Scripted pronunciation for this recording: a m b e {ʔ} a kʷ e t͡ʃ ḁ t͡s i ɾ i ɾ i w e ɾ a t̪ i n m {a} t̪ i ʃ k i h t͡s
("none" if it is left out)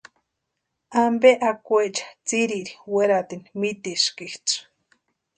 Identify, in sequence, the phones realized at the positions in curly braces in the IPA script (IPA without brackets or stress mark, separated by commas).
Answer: ʔ, i